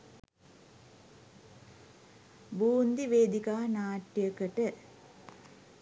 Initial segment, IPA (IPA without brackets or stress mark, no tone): b